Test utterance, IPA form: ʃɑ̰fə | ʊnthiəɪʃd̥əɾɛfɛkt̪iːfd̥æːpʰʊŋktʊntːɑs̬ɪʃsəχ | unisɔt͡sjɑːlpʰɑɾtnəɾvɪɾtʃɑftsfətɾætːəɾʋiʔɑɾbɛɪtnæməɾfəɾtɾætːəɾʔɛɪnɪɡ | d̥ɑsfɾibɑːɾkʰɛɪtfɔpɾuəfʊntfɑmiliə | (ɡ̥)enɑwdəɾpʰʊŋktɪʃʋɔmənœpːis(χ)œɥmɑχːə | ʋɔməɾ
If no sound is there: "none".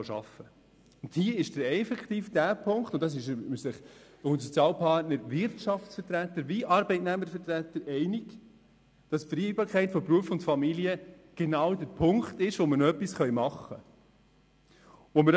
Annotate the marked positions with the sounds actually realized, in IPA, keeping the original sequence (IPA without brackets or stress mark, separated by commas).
ɡ̥, χ